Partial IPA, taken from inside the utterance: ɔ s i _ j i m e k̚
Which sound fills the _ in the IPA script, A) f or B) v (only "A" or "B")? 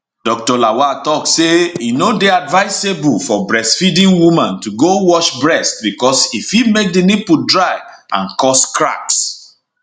A